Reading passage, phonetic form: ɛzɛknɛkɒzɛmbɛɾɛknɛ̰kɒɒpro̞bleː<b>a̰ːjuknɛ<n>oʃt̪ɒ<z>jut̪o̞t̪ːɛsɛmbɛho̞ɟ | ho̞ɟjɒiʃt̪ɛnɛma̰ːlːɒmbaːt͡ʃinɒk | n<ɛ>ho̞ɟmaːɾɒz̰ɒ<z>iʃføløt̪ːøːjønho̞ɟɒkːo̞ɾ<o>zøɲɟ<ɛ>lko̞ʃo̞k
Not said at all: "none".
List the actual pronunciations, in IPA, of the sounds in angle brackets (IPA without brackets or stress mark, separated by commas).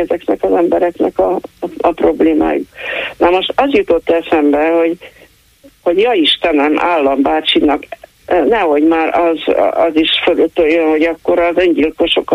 m, m, z, ɛ, z, ɒ, i